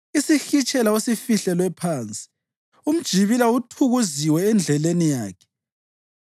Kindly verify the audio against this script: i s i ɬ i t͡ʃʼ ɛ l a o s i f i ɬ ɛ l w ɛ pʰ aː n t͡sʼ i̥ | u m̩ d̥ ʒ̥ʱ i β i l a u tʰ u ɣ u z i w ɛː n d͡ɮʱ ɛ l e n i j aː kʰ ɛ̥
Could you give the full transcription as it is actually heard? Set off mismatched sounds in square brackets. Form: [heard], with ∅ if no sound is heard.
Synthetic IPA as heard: i s i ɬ i t͡ʃʼ ɛ l a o s i f i ɬ ɛ l w ɛ pʰ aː n t͡sʼ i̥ | u m̩ d̥ ʒ̥ʱ i β i l a u tʰ u ɣ u z i w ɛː n d͡ɮʱ ɛ l e n i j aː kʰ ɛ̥